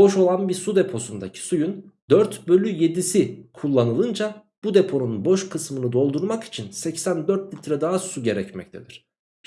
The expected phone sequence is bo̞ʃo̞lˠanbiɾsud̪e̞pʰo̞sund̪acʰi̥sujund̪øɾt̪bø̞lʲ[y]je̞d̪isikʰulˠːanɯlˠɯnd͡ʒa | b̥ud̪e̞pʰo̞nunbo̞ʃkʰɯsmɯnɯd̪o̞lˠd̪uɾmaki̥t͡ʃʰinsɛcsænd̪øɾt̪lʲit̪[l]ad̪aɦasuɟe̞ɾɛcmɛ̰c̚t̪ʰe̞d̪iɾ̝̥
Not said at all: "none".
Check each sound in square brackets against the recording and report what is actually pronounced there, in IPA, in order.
y, ɾ

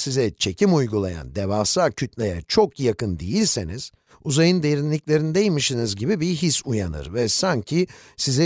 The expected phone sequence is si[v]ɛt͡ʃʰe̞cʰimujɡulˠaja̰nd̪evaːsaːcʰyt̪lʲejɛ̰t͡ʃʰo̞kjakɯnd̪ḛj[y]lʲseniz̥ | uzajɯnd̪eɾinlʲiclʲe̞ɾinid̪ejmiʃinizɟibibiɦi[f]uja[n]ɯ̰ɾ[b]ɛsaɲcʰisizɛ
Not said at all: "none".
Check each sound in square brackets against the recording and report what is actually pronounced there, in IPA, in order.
z, i, s, n, v

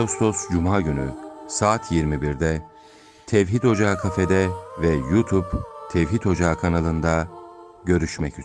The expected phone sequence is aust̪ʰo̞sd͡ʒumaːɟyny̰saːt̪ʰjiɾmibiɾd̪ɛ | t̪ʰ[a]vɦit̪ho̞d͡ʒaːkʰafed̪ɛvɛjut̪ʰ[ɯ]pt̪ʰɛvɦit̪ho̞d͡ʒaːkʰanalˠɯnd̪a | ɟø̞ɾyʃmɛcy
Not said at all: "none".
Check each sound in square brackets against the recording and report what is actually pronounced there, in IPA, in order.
ɛ, u

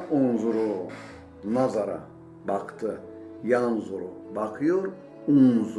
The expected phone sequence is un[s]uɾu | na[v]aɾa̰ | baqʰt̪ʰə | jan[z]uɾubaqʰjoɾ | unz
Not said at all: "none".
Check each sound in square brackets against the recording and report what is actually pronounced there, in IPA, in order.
z, z, z

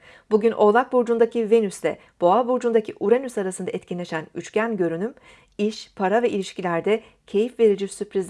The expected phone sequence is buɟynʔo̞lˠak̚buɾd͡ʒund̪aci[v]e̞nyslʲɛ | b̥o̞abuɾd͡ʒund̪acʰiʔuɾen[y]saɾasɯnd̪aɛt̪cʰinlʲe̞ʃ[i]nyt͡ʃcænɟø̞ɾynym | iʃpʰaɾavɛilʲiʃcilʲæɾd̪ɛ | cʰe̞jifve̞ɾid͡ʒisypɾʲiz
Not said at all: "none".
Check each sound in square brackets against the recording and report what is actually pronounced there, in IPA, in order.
v, y, æ

